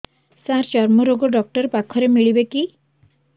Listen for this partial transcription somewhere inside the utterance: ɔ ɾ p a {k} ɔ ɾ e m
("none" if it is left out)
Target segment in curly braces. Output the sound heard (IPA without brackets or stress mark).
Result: kʰ